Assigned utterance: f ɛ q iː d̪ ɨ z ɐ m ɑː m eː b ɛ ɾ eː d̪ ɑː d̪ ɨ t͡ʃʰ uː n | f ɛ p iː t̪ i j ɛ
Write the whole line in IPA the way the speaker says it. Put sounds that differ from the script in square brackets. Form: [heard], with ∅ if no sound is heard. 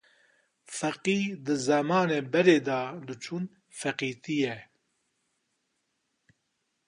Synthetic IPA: f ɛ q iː d̪ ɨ z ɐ m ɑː [n] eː b ɛ ɾ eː d̪ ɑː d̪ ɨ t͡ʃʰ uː n | f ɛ [q] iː t̪ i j ɛ